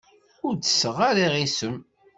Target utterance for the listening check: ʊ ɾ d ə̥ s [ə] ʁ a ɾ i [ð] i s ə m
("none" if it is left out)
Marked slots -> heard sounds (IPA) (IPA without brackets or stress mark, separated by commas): ə, ʁ